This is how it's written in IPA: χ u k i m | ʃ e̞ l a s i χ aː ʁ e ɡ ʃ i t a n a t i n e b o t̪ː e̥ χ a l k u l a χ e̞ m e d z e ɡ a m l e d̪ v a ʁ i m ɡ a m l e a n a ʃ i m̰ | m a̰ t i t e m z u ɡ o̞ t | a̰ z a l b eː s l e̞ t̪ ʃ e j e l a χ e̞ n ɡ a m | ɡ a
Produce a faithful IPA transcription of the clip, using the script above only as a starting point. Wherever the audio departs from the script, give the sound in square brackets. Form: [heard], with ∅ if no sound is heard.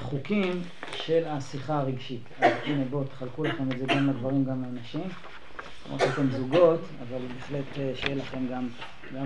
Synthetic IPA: χ u k i m | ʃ e̞ l a s i χ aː ʁ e ɡ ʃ i t a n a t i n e b o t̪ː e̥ χ a l k u l a χ e̞ m e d z e ɡ a m l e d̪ v a ʁ i m ɡ a m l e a n a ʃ i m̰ | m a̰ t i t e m z u ɡ o̞ t | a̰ [v] a l b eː [χ] l e̞ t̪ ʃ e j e l a χ e̞ [m] ɡ a m | ɡ a